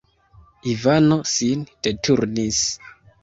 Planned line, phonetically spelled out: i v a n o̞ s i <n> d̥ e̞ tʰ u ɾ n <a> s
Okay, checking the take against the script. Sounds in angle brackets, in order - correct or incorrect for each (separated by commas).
correct, incorrect